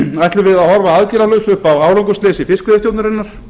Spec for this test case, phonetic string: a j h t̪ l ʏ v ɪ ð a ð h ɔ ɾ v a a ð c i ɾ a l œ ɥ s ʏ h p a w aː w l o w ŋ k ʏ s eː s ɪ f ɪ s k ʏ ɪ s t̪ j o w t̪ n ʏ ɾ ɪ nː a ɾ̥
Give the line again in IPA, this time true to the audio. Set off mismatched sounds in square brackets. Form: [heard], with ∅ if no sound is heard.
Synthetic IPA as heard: a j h t̪ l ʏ v ɪ ð a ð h ɔ ɾ v a a ð c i ɾ a l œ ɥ s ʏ h p a w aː w l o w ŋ k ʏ s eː s ɪ f ɪ s k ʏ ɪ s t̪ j o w t̪ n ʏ ɾ ɪ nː a ɾ̥